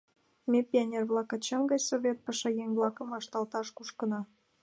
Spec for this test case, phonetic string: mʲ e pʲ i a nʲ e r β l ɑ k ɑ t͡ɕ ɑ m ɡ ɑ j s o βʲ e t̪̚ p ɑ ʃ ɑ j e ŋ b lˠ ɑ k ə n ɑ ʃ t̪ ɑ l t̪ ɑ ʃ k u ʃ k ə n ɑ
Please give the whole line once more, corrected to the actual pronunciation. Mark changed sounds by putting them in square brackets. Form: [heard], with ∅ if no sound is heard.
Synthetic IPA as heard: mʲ e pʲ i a nʲ e r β l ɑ k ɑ t͡ɕ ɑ m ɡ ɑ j s o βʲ e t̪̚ p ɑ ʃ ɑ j e ŋ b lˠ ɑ k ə [m] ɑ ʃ t̪ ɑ l t̪ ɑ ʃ k u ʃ k ə n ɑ